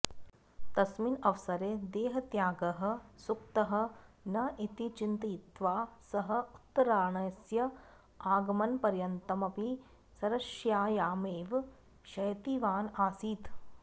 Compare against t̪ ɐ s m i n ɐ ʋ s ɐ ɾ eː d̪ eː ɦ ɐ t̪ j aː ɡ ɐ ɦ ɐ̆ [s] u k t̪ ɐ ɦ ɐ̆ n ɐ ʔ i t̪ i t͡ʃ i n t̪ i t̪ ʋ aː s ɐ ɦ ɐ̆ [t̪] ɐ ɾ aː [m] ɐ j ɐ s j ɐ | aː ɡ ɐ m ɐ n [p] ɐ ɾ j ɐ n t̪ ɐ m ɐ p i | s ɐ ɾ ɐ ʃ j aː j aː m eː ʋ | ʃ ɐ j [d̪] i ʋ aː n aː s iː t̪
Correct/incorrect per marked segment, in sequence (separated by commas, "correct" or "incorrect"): correct, correct, incorrect, correct, incorrect